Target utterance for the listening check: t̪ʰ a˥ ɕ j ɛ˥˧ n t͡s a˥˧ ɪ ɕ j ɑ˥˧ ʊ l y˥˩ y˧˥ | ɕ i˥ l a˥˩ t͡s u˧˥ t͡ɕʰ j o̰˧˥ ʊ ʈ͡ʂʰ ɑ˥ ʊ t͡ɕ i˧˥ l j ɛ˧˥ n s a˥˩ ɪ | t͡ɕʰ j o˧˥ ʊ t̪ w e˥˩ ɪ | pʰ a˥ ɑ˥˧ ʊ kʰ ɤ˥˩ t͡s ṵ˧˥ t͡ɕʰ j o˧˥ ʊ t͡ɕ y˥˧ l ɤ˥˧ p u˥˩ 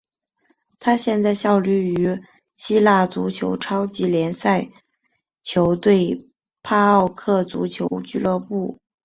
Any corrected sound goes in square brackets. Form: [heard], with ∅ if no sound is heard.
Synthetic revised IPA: t̪ʰ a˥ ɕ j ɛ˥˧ n t͡s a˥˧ ɪ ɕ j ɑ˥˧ ʊ l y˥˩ y˧˥ | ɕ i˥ l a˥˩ t͡s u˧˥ t͡ɕʰ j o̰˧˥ ʊ ʈ͡ʂʰ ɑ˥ ʊ t͡ɕ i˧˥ l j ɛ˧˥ n s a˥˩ ɪ | t͡ɕʰ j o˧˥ ʊ t̪ w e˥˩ ɪ | pʰ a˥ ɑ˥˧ ʊ kʰ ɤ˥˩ t͡s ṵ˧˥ t͡ɕʰ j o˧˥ ʊ t͡ɕ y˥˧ l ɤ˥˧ p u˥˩